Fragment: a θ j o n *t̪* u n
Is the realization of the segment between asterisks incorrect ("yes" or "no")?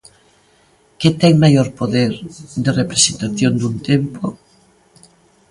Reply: yes